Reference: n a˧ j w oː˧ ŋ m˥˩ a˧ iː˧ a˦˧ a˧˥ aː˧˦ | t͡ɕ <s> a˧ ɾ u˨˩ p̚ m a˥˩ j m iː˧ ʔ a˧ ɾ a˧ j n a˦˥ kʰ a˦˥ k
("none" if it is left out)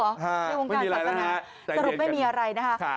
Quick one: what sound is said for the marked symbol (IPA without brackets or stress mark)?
s